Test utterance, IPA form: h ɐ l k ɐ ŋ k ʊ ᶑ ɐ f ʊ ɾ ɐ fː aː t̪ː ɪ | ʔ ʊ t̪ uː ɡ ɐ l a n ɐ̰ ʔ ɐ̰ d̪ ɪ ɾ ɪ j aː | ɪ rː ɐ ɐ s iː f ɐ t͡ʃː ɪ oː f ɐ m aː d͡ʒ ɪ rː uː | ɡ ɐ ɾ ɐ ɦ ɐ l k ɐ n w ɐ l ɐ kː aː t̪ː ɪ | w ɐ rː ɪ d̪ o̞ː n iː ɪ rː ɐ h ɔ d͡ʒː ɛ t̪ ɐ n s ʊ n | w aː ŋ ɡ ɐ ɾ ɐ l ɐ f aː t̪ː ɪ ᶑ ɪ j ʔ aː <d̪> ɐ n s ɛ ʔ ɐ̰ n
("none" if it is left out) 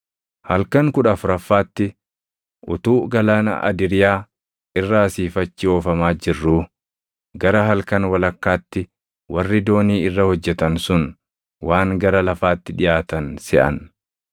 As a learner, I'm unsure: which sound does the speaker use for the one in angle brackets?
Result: t̪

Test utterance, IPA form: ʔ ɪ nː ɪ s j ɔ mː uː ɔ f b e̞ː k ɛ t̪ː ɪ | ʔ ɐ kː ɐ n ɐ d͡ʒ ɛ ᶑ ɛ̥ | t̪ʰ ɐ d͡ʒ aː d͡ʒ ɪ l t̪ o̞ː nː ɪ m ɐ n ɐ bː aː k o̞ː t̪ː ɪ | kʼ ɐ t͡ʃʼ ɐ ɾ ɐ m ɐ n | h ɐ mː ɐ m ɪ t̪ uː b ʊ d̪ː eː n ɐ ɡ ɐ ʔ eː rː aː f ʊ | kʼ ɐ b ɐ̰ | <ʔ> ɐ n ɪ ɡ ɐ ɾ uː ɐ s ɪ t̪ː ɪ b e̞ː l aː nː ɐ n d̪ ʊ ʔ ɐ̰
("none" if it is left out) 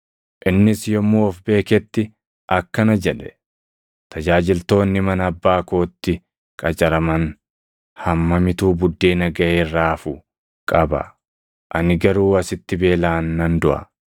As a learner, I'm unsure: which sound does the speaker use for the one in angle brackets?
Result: ʔ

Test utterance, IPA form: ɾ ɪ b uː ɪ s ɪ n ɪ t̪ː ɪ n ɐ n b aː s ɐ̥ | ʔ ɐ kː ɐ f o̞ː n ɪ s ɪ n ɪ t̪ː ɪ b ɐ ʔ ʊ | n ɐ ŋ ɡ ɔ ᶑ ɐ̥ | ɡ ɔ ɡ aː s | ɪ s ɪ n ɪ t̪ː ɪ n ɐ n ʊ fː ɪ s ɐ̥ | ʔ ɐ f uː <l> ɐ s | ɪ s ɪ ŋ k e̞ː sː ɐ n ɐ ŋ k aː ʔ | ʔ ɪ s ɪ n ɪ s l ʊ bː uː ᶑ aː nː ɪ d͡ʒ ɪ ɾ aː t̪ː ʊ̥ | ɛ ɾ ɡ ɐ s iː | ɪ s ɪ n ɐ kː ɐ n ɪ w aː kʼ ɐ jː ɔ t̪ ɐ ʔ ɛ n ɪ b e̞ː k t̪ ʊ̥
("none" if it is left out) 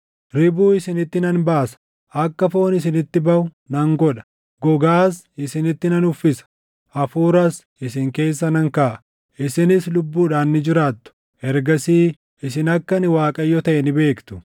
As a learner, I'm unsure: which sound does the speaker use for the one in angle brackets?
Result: ɾ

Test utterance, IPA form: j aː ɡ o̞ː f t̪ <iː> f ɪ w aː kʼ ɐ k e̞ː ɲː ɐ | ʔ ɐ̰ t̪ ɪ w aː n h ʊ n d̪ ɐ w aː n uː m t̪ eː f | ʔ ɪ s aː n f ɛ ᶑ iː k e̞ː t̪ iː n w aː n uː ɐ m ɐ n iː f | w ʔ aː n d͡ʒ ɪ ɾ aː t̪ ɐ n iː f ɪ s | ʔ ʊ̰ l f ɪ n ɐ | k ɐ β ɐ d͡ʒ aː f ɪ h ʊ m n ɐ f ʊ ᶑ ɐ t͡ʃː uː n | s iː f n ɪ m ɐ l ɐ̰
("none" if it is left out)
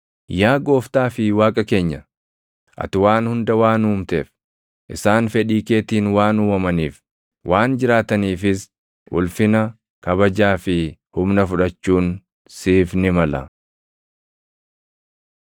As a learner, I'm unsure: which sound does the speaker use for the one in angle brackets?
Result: aː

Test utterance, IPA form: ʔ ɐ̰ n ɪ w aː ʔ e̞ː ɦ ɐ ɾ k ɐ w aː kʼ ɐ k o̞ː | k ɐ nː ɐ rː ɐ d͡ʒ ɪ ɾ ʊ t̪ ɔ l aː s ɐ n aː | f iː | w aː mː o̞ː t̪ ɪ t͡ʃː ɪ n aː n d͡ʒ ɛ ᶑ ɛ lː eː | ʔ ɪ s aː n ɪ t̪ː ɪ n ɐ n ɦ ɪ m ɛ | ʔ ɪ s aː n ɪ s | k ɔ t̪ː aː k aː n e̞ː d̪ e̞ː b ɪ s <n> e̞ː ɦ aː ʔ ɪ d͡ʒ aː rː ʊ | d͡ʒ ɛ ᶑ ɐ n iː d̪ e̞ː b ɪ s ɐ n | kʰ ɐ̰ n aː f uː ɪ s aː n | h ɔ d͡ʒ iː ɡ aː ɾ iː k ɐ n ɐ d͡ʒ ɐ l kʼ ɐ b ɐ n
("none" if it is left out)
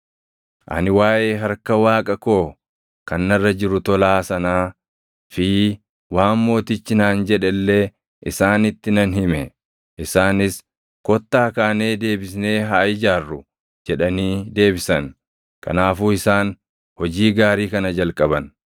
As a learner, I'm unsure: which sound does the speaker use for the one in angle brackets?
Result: n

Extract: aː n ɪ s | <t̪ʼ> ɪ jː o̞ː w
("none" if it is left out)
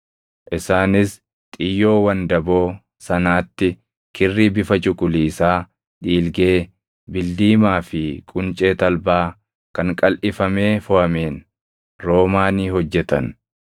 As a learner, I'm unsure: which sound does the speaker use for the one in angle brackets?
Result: t̪ʼ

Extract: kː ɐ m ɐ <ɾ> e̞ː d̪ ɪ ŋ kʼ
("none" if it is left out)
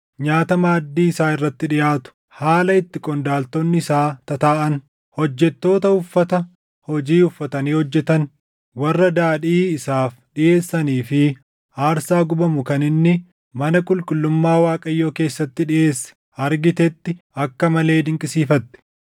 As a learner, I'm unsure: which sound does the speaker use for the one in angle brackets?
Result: l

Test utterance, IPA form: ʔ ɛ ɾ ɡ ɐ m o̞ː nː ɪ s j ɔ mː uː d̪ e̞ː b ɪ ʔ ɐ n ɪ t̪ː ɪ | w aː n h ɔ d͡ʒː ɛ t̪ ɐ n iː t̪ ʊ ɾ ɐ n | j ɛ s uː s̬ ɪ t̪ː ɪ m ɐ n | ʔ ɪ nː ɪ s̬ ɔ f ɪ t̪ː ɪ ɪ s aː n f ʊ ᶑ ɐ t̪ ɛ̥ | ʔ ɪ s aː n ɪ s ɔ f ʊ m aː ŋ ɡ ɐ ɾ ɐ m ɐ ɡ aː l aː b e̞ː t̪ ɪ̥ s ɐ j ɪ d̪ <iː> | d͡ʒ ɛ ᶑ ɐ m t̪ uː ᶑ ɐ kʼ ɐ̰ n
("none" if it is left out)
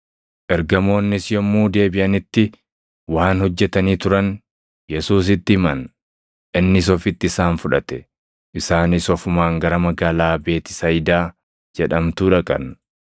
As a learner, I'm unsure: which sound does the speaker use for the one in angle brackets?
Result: aː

